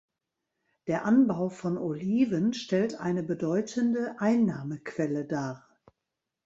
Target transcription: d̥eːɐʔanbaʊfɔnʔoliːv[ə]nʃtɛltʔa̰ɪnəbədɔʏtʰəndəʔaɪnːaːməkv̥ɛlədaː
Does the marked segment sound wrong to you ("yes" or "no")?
no